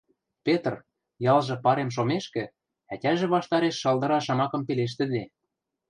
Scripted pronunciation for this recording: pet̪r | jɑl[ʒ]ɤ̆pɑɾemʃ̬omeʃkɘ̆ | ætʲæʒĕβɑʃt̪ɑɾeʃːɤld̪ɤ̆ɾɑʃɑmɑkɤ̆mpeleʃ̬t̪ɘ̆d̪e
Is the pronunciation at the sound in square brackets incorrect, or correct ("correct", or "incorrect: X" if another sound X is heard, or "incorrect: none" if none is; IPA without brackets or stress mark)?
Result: correct